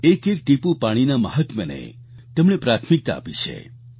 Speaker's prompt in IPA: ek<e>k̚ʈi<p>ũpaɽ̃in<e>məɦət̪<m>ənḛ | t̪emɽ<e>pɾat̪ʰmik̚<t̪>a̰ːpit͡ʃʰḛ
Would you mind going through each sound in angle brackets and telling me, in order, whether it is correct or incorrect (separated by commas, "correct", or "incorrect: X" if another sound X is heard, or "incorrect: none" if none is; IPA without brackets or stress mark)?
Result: correct, correct, incorrect: a, correct, correct, correct